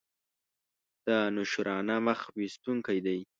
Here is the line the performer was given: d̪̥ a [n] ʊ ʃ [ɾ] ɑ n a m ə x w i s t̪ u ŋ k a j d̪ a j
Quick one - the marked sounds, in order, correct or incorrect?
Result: correct, correct

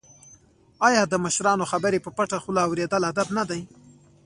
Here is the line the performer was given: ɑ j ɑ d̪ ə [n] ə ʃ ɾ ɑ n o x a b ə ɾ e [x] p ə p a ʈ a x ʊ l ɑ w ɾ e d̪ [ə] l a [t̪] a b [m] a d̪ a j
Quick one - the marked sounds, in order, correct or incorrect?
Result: incorrect: m, incorrect: none, correct, incorrect: d̪, incorrect: n

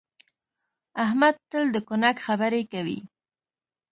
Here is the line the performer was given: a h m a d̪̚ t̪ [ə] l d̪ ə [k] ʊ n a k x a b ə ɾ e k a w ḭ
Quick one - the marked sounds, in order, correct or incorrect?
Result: correct, correct

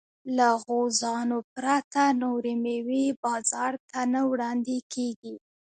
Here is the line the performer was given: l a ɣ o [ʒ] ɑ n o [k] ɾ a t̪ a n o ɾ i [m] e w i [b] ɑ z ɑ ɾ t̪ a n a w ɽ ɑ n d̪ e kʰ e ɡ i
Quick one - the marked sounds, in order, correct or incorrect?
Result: incorrect: z, incorrect: p, correct, correct

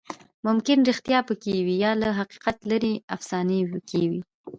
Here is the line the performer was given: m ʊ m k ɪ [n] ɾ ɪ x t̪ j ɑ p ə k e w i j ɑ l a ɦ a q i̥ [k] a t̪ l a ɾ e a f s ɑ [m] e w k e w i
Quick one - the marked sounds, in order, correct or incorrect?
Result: correct, incorrect: q, incorrect: n

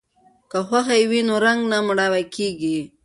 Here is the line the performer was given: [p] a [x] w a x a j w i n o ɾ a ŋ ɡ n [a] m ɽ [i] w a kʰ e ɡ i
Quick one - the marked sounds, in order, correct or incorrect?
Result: incorrect: k, correct, correct, incorrect: a

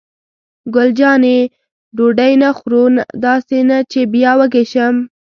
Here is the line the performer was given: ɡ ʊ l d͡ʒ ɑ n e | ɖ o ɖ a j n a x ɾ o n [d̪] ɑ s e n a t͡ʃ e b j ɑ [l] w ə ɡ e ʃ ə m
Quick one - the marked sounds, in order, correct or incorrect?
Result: correct, incorrect: none

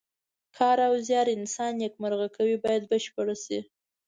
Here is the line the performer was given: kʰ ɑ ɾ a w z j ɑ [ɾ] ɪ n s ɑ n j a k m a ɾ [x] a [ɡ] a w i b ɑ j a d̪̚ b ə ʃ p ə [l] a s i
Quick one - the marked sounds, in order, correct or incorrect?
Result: correct, incorrect: ɣ, incorrect: k, incorrect: ɽ

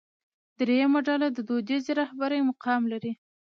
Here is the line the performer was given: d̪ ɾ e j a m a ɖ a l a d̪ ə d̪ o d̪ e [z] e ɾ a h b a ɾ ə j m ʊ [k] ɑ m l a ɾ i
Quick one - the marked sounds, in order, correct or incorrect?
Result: correct, incorrect: q

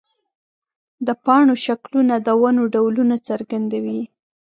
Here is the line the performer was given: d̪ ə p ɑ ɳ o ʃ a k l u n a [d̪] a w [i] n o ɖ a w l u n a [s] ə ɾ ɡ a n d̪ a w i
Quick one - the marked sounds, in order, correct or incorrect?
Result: correct, incorrect: a, incorrect: t͡s

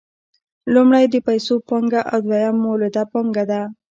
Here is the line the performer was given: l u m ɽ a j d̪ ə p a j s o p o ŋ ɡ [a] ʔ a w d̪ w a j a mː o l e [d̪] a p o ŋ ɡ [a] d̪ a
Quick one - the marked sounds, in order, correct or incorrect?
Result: correct, correct, correct

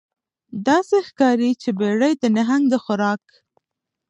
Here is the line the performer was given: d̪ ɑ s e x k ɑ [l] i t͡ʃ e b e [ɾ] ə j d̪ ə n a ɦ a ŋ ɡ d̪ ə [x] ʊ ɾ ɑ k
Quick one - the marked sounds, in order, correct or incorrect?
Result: incorrect: ɾ, incorrect: ɽ, correct

